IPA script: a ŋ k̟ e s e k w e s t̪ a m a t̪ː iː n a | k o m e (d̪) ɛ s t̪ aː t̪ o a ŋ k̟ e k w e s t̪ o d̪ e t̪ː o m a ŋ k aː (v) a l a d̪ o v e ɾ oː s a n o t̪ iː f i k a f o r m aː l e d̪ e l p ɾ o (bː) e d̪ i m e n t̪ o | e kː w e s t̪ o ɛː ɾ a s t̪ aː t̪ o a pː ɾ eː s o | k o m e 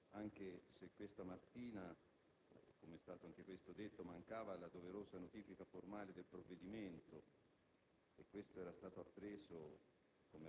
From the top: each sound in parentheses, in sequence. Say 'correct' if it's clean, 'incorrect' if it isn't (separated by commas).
incorrect, correct, incorrect